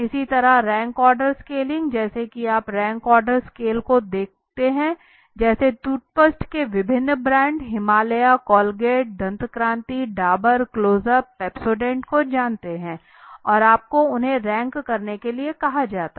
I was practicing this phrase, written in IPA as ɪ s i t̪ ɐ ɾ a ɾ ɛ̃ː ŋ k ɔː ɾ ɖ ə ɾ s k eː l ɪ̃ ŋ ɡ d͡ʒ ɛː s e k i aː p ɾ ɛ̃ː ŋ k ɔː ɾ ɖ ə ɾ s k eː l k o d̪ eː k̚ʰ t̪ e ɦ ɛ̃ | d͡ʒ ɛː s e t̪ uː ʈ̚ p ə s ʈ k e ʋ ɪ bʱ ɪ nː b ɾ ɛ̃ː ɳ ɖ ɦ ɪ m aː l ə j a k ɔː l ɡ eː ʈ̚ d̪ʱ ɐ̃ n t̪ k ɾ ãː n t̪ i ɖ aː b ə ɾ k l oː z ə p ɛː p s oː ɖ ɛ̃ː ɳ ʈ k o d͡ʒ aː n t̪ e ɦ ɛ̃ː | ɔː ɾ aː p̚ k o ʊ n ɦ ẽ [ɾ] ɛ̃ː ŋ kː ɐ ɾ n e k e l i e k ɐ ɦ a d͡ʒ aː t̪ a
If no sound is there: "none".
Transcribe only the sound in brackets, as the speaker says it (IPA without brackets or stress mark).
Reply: ɾ